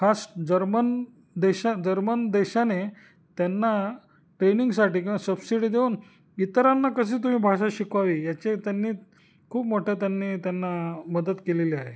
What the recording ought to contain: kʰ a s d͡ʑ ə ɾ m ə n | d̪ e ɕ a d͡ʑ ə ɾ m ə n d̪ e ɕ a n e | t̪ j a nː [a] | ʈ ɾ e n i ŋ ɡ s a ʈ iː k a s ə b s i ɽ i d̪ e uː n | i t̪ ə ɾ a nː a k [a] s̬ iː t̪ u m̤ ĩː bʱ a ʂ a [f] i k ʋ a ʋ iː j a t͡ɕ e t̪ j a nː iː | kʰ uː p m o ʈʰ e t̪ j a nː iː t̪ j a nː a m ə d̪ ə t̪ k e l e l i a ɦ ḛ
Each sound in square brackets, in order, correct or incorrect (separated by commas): correct, incorrect, incorrect